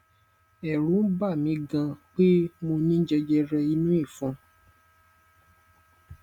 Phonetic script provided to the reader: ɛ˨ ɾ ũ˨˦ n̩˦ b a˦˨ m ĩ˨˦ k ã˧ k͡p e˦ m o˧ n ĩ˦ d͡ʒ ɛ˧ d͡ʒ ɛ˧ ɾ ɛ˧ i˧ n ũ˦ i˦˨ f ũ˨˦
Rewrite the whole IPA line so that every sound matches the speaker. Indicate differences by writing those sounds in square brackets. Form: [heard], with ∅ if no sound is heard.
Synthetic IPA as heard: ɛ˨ ɾ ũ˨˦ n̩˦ b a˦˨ m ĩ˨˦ [ɡ] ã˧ k͡p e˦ m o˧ n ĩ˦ d͡ʒ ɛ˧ d͡ʒ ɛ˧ ɾ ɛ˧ i˧ n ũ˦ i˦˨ f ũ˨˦